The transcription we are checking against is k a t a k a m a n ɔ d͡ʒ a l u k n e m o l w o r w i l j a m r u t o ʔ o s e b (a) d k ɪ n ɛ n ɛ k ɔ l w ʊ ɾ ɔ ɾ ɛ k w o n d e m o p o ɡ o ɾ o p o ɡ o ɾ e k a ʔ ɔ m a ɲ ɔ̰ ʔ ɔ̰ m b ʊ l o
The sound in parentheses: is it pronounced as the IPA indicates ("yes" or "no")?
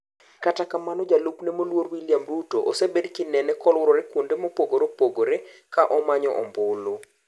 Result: no